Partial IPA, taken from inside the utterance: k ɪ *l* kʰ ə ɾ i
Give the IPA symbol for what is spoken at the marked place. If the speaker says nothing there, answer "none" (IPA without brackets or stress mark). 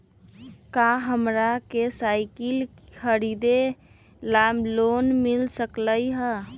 l